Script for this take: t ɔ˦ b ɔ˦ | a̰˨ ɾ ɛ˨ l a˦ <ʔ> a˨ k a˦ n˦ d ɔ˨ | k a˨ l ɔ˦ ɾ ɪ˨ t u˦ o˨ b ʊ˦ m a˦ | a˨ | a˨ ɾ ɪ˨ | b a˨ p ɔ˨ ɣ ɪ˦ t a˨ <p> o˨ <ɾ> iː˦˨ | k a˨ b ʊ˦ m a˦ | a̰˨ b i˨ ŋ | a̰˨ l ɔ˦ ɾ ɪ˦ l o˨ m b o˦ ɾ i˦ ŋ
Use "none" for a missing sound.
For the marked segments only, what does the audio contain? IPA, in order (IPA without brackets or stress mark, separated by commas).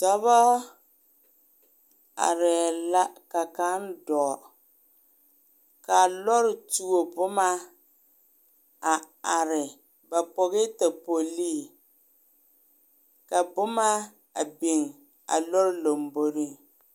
k, p, l